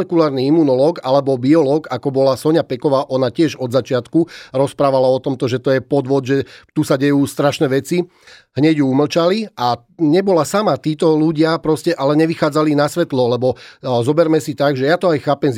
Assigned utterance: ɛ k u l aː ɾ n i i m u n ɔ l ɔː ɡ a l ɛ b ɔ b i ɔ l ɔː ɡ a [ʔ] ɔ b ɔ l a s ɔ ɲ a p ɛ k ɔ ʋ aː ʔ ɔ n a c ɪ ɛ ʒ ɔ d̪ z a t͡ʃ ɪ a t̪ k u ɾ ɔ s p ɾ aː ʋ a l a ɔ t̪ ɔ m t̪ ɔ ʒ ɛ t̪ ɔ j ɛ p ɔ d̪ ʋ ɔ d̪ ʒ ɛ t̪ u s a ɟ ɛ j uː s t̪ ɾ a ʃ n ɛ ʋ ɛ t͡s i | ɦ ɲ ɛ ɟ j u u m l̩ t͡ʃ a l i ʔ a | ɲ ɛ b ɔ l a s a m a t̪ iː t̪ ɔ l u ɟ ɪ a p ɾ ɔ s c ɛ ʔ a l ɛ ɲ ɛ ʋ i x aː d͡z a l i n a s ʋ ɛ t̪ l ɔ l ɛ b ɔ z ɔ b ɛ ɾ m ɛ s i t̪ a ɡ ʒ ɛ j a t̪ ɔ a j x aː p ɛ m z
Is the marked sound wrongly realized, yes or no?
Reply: yes